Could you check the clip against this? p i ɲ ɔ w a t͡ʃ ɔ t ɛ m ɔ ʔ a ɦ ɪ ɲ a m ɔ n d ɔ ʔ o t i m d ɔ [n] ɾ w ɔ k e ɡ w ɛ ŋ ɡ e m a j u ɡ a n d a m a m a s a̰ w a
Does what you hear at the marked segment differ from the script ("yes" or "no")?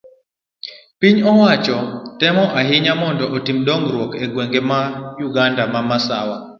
yes